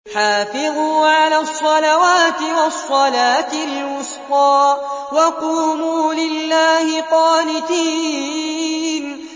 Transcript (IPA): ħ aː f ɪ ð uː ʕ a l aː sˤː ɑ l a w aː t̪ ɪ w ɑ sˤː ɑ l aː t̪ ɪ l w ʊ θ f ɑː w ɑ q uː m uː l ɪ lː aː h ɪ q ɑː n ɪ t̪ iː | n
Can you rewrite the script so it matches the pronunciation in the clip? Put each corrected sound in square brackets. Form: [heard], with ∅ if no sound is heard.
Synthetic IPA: ħ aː f ɪ ð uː ʕ a l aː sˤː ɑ l a w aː t̪ ɪ w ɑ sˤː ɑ l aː t̪ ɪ l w ʊ [s] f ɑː w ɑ q uː m uː l ɪ lː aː h ɪ q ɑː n ɪ t̪ iː | n